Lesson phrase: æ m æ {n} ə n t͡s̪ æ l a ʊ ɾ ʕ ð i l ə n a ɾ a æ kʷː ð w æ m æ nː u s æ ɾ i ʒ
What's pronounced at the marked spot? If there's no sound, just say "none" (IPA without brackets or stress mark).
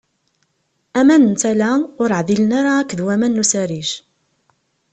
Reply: n